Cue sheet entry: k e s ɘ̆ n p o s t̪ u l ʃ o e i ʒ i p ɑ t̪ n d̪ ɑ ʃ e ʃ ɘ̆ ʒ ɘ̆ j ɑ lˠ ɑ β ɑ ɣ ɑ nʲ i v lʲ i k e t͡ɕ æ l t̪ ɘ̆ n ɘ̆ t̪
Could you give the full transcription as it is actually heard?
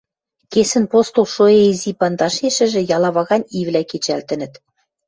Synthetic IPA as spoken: k e s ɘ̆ n p o s t̪ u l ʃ o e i z i p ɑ n d̪ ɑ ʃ e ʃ ɘ̆ ʒ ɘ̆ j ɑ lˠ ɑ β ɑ ɣ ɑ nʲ i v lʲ æ k e t͡ɕ æ l t̪ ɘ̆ n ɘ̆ t̪